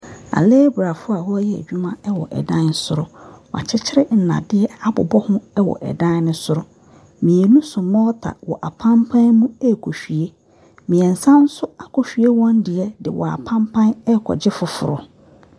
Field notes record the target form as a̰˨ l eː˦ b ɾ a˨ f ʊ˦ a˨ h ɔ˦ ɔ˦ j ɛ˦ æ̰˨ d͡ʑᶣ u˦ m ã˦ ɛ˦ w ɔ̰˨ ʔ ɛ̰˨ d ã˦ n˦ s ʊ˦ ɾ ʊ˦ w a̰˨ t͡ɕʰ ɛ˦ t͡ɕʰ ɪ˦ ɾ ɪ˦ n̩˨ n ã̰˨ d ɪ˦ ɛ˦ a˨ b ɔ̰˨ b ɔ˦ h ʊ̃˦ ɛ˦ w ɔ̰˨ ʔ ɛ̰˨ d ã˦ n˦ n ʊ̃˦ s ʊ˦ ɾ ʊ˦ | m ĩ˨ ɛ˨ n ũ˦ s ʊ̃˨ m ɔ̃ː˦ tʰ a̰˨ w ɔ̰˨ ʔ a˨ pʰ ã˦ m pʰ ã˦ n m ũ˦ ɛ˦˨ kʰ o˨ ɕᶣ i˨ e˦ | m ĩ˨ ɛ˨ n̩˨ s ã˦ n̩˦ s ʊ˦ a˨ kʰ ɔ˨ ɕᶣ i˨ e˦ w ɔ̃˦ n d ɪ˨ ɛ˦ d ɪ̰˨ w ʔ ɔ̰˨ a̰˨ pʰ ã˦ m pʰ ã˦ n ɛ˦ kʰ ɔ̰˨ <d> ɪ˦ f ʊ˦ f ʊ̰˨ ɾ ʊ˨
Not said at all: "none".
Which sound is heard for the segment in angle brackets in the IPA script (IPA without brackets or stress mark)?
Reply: d͡ʑ